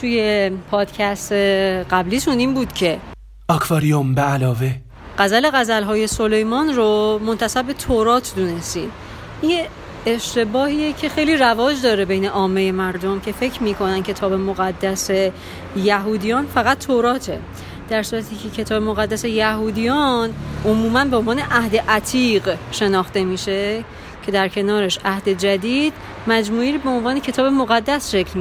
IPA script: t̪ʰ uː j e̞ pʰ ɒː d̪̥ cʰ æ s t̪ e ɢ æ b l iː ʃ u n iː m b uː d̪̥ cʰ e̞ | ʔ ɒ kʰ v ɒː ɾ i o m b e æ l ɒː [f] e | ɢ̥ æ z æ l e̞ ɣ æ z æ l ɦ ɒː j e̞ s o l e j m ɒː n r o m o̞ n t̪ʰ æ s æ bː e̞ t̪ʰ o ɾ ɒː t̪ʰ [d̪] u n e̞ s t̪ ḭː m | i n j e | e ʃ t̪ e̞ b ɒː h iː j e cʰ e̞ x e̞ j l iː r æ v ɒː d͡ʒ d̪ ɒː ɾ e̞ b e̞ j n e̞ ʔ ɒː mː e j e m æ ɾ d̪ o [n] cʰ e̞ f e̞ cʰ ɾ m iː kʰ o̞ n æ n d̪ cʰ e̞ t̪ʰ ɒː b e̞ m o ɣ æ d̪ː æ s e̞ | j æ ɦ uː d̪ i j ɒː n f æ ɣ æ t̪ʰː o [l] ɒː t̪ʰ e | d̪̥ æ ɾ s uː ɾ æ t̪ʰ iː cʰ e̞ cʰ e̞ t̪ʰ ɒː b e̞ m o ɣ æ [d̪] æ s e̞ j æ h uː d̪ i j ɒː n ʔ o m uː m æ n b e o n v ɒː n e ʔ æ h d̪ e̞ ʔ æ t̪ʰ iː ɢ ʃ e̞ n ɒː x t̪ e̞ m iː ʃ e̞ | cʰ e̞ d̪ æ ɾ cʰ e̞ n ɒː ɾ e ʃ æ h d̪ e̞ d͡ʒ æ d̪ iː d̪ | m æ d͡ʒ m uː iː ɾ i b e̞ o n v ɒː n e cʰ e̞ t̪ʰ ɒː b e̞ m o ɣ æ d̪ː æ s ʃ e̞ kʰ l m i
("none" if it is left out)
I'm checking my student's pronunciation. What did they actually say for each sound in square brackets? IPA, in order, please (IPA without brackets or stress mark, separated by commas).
v, d̪, m, ɾ, d̪ː